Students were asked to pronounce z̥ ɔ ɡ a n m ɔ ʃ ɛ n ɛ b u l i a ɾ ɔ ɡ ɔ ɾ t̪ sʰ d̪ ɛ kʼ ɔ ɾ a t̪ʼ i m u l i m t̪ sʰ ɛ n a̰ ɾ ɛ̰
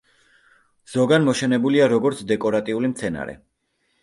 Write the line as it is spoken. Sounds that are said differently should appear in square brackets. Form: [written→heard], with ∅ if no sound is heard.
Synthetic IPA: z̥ ɔ ɡ a n m ɔ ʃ ɛ n ɛ b u l i a ɾ ɔ ɡ ɔ ɾ t̪ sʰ d̪ ɛ kʼ ɔ ɾ a t̪ʼ i [m→∅] u l i m t̪ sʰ ɛ n a̰ ɾ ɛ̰